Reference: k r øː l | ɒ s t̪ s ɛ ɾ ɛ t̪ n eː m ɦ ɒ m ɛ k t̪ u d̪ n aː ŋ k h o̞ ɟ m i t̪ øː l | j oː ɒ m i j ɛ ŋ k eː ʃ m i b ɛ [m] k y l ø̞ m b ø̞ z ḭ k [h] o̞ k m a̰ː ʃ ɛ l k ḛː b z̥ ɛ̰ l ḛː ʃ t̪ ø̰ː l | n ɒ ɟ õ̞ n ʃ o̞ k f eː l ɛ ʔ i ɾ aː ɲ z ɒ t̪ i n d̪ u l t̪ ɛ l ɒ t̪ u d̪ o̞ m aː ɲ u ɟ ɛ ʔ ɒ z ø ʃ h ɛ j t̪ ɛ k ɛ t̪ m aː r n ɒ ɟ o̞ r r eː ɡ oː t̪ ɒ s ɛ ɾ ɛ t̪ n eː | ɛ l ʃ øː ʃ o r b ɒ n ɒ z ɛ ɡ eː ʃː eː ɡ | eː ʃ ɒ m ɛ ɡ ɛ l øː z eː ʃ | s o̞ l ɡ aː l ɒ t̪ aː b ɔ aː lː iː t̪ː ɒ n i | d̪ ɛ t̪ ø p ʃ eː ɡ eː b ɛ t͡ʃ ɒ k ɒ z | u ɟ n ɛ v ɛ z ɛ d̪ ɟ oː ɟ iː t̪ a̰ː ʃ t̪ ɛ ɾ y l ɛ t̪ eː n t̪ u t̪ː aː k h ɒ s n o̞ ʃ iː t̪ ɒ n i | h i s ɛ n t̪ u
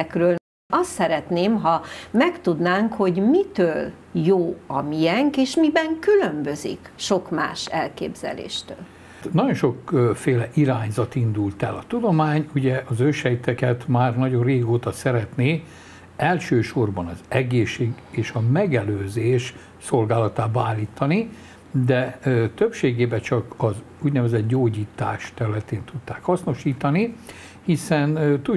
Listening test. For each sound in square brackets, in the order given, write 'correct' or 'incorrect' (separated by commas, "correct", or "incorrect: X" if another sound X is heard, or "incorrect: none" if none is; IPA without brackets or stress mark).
incorrect: ŋ, incorrect: ʃ